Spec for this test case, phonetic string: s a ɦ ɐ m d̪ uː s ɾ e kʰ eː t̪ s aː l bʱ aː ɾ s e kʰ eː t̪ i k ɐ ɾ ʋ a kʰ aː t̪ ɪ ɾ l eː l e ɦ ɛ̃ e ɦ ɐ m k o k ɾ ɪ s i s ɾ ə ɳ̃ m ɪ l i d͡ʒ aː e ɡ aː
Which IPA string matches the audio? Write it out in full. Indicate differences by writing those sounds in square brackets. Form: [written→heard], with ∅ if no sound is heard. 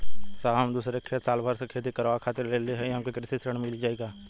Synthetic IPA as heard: s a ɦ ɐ m d̪ uː s ɾ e kʰ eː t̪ s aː l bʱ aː ɾ s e kʰ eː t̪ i k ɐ ɾ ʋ a kʰ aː t̪ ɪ ɾ l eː l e ɦ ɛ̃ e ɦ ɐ m k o k ɾ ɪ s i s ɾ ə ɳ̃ m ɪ l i d͡ʒ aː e ɡ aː